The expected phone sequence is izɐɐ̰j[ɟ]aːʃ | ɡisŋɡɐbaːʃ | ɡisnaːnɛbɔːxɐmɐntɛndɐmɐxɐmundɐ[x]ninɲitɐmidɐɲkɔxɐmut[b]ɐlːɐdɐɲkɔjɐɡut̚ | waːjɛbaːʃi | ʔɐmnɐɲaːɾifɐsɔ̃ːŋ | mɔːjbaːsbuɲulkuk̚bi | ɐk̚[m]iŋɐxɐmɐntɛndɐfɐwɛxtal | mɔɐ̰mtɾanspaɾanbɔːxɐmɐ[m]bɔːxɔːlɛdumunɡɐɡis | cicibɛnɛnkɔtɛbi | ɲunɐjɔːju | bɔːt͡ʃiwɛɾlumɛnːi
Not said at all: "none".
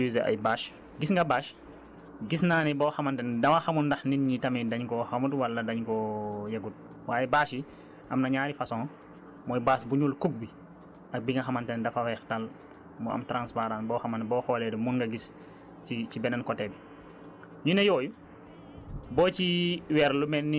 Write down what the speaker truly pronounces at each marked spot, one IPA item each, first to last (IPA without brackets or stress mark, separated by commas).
b, x, w, b, n